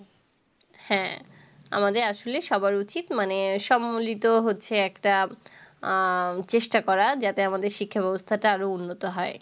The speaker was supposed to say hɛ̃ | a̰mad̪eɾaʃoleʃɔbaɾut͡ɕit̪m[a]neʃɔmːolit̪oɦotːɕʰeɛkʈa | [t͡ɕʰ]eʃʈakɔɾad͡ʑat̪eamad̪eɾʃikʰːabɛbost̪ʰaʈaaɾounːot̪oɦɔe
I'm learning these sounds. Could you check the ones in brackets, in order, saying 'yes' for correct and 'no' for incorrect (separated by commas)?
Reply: yes, no